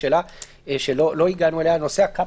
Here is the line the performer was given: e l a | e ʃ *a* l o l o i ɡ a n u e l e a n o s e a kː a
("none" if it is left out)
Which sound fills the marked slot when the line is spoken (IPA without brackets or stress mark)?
e